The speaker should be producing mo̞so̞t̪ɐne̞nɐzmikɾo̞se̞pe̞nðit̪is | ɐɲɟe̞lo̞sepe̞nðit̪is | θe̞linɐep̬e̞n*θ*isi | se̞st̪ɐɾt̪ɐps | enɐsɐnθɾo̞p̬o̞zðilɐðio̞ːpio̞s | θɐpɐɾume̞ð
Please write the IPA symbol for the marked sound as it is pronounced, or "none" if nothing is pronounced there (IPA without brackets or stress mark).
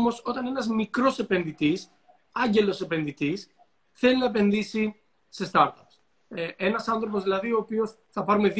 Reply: ð